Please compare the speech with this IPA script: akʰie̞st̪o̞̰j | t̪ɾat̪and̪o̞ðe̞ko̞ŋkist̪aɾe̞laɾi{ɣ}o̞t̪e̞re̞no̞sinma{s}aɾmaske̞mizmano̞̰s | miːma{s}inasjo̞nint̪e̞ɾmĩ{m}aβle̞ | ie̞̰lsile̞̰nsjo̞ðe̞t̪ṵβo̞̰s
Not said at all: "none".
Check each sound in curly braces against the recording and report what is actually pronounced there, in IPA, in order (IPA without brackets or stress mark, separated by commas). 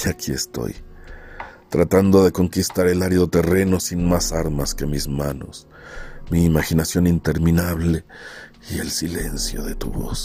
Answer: ð, s, x, n